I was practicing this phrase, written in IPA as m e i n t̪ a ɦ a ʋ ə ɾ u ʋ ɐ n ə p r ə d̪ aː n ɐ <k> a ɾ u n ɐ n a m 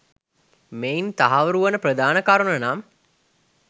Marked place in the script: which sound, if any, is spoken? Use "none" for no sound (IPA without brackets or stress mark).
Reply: k